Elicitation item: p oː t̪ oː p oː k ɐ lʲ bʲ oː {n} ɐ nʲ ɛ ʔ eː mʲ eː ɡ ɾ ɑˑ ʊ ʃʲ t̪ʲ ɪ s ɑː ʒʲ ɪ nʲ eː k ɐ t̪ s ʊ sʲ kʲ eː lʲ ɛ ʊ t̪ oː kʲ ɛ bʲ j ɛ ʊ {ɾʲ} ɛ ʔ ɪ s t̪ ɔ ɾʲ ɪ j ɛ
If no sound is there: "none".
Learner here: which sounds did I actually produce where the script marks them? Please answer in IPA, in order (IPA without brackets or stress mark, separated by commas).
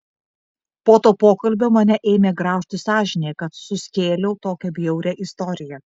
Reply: m, ɾʲ